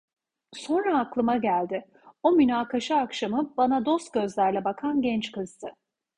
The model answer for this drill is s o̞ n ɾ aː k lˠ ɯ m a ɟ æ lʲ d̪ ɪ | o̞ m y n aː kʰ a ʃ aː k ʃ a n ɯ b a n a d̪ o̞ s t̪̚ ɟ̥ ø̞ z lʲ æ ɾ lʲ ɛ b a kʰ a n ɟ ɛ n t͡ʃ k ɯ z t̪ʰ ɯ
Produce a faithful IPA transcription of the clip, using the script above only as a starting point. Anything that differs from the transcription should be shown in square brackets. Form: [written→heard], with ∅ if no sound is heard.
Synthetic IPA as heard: s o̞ n ɾ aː k lˠ ɯ m a ɟ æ lʲ d̪ ɪ | o̞ m y n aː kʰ a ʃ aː k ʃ a [n→m] ɯ b a n a d̪ o̞ s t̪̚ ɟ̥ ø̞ z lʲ æ ɾ lʲ ɛ b a kʰ a n ɟ ɛ n t͡ʃ k ɯ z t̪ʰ ɯ

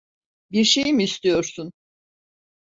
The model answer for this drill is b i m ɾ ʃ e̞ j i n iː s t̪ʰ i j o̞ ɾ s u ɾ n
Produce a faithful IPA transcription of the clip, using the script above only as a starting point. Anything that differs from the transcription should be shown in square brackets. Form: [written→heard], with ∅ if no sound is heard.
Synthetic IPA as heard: b i [m→∅] ɾ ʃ e̞ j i [n→m] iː s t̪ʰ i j o̞ ɾ s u [ɾ→∅] n

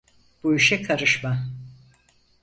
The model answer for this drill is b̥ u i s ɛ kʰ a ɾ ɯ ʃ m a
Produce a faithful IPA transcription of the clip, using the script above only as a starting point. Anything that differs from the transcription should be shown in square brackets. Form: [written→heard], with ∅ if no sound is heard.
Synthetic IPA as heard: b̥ u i [s→ʃ] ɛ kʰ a ɾ ɯ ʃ m a

